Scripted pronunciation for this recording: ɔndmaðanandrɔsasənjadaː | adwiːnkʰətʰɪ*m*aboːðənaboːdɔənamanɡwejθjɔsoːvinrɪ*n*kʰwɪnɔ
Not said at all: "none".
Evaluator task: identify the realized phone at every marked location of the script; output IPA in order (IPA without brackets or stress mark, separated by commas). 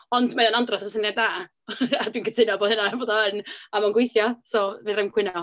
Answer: n, m